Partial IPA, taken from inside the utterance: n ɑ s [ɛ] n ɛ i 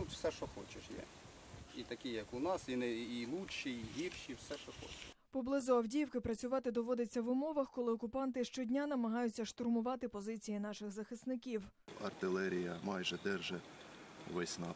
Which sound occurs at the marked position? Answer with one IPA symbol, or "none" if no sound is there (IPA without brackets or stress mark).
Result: i